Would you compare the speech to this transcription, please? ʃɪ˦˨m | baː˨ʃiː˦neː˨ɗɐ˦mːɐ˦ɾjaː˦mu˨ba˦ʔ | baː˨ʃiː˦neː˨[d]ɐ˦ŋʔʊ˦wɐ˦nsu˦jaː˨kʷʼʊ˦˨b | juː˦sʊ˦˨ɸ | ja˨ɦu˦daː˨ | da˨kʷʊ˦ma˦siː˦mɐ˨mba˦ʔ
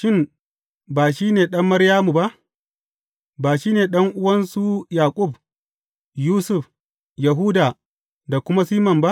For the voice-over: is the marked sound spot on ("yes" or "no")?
no